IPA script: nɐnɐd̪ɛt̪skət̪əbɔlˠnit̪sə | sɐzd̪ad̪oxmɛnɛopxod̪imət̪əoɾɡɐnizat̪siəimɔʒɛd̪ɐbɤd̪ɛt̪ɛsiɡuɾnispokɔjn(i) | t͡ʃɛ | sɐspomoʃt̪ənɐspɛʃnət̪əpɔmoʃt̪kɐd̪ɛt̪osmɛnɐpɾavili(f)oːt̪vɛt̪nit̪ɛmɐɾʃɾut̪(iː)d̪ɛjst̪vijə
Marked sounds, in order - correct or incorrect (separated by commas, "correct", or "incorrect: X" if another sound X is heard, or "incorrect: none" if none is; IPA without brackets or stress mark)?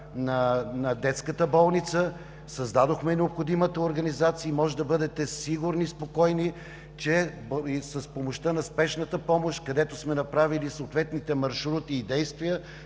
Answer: correct, incorrect: s, correct